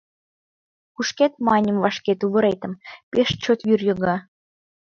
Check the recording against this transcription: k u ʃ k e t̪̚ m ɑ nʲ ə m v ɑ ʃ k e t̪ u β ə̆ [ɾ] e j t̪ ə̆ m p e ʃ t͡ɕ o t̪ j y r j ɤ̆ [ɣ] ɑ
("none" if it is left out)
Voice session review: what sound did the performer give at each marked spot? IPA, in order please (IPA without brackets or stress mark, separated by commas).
ɾ, ɣ